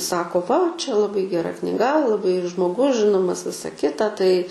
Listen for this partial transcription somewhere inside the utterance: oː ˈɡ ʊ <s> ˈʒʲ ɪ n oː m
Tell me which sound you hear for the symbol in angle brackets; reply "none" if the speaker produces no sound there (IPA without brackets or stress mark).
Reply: s